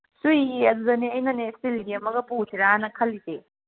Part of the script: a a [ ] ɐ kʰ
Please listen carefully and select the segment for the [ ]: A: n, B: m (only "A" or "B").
A